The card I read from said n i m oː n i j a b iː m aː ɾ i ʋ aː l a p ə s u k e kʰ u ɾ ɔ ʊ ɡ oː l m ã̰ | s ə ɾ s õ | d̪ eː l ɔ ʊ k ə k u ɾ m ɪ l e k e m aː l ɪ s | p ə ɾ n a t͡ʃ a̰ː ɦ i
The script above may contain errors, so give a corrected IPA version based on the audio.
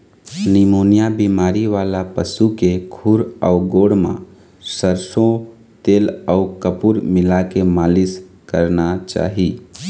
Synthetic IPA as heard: n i m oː n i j a b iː m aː ɾ i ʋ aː l a p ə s u k e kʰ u ɾ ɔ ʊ ɡ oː ɽ m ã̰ | s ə ɾ s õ | t̪ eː l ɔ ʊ k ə p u ɾ m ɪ l a k e m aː l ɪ s | k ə ɾ n a t͡ʃ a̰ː ɦ i